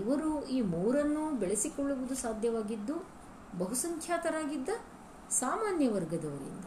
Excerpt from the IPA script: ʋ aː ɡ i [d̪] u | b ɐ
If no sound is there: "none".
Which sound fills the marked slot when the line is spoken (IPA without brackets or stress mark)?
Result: d̪ː